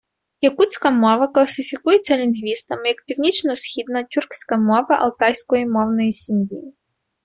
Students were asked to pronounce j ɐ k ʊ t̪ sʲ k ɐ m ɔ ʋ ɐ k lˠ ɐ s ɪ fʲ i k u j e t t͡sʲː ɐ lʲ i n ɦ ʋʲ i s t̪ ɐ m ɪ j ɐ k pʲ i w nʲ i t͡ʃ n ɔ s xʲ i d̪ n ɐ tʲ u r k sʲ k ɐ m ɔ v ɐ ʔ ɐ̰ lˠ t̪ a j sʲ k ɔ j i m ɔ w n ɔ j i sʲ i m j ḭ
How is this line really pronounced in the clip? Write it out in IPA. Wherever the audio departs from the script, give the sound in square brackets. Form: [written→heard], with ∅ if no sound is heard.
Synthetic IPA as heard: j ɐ k [ʊ→u] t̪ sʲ k ɐ m ɔ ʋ ɐ k lˠ ɐ s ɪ fʲ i k u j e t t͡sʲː ɐ lʲ i n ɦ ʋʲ i s t̪ ɐ m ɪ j ɐ k pʲ i w nʲ i t͡ʃ n ɔ s xʲ i d̪ n ɐ tʲ u r k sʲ k ɐ m ɔ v ɐ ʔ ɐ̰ lˠ t̪ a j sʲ k ɔ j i m ɔ w n ɔ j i sʲ i m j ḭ